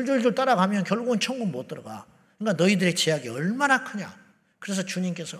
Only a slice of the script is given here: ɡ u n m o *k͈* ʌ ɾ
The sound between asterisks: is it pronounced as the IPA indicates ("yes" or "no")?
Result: no